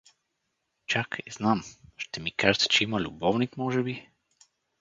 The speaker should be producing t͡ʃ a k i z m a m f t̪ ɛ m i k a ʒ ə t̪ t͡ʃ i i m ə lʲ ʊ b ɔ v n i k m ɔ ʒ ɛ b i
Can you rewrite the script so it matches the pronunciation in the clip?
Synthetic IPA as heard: t͡ʃ a k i z n a m ʃ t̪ ɛ m i k a ʒ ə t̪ t͡ʃ ɛ i m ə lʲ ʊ b ɔ v n i k m ɔ ʒ ɛ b i